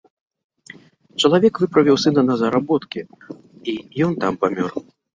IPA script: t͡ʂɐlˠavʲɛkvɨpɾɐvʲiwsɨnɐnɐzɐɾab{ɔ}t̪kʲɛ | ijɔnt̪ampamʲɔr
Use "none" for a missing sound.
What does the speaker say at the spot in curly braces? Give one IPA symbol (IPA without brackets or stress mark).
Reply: ɔ